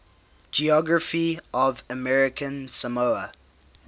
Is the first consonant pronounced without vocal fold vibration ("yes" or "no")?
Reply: no